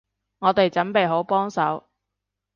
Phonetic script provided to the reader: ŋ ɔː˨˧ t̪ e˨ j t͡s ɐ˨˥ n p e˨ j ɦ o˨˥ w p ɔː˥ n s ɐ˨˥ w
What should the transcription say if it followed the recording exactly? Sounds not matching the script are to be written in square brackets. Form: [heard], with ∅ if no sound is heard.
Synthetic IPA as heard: ŋ ɔː˨˧ t̪ e˨ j t͡s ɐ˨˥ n p e˨ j ɦ o˨˥ w p ɔː˥ [ŋ] s ɐ˨˥ w